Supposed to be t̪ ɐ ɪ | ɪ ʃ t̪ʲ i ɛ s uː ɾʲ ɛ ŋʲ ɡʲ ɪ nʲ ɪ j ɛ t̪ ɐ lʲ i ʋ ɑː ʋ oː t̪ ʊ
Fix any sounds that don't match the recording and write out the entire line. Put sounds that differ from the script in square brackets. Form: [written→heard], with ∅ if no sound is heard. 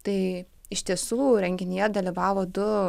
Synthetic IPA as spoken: t̪ ɐ ɪ | ɪ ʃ t̪ʲ i ɛ s uː ɾʲ ɛ ŋʲ ɡʲ ɪ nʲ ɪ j ɛ [t̪→d̪] ɐ lʲ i ʋ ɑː ʋ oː [t̪→d̪] ʊ